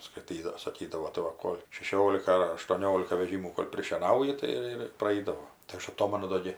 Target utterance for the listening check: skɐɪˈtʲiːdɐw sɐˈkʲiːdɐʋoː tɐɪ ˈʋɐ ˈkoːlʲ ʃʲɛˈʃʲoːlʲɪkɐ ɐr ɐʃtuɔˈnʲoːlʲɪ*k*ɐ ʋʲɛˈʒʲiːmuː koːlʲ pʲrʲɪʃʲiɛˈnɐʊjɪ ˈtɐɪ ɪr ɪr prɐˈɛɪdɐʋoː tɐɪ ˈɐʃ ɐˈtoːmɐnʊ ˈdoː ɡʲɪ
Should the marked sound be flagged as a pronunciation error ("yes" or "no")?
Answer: no